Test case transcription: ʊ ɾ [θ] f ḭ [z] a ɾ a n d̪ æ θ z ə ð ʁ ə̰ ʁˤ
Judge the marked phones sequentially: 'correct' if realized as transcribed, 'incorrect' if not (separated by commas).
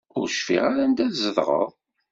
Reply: incorrect, incorrect